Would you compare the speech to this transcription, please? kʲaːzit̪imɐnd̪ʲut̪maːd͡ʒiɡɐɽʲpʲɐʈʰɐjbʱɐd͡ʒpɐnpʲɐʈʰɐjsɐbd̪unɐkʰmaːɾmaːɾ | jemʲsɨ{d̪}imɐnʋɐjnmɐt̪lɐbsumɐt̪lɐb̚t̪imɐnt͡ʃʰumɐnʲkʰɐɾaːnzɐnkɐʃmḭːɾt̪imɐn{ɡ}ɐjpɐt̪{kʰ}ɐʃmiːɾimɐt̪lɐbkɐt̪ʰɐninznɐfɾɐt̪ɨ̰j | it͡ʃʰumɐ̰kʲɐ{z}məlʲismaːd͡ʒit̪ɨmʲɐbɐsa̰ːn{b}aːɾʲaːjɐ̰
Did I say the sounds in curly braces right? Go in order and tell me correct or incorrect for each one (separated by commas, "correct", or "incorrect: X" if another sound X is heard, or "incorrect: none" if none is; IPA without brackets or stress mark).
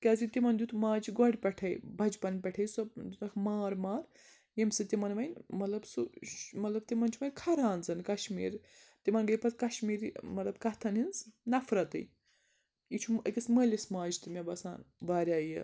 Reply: incorrect: t̪, correct, incorrect: k, incorrect: s, correct